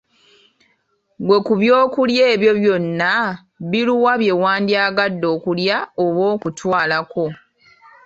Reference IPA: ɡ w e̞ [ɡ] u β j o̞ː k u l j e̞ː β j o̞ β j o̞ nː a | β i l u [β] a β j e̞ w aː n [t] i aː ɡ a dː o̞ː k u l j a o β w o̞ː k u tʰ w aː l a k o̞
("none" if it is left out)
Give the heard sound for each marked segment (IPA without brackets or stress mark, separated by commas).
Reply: k, w, d